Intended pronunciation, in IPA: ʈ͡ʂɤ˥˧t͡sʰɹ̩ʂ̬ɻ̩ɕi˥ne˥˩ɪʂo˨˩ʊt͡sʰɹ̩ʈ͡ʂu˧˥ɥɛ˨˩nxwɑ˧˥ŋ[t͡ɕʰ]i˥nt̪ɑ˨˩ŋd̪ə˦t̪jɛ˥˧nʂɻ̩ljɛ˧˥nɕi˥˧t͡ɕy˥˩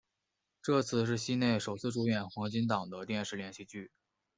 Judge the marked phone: incorrect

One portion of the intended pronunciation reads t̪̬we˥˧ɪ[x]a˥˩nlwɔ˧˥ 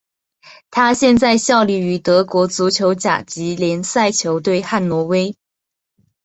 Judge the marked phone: correct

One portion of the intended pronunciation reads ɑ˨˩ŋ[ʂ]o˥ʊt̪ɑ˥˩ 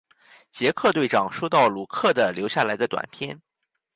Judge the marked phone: correct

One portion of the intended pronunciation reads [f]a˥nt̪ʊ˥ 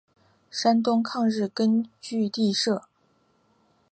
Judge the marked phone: incorrect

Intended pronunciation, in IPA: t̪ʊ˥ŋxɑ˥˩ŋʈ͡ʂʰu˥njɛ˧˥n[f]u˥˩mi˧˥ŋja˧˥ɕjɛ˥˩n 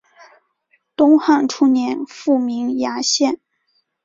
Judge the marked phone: correct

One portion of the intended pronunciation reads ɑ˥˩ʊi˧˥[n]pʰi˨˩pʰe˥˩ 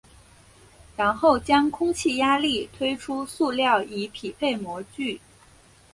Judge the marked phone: incorrect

